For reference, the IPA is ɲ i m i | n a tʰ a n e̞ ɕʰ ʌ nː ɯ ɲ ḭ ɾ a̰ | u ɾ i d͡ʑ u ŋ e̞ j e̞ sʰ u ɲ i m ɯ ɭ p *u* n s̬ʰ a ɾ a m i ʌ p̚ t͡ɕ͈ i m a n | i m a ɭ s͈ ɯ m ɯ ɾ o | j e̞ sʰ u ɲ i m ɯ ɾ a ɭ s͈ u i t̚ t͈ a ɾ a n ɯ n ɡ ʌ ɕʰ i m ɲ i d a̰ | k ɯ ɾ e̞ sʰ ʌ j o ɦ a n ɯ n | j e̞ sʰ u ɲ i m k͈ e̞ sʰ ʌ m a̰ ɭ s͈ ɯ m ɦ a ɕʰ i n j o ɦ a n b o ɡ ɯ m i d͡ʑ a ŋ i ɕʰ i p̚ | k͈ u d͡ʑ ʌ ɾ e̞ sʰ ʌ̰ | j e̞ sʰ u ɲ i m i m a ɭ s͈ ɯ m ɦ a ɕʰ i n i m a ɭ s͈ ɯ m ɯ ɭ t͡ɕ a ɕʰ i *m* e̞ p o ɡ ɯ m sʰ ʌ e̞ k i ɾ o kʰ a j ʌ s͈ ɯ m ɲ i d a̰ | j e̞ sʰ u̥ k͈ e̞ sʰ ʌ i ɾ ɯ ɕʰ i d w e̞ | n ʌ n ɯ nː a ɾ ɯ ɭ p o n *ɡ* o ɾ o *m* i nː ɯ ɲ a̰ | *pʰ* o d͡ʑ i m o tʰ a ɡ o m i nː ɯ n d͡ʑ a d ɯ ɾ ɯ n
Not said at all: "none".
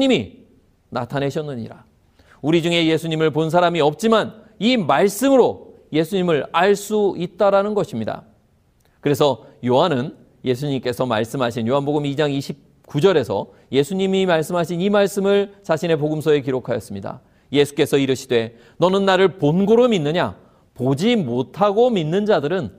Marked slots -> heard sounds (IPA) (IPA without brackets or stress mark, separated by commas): o, n, ɡ, m, p